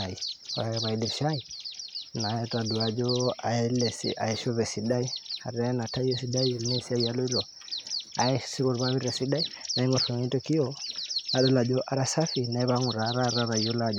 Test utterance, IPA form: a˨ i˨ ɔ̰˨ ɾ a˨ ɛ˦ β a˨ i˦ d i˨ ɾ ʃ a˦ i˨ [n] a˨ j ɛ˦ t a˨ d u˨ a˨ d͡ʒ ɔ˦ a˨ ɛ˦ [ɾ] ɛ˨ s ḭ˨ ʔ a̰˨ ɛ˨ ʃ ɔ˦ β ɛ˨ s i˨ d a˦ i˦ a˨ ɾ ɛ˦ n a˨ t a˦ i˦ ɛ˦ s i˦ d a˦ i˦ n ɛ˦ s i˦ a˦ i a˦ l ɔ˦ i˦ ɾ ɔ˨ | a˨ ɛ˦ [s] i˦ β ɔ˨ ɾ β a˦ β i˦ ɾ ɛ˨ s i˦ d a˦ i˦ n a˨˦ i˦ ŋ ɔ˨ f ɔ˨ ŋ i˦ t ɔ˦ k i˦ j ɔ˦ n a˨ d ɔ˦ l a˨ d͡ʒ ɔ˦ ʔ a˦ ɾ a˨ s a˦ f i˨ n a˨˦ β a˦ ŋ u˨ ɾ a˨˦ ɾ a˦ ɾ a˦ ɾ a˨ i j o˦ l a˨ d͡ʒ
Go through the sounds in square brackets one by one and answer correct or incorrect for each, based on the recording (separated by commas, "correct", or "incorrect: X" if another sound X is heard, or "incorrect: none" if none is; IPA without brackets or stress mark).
correct, incorrect: l, correct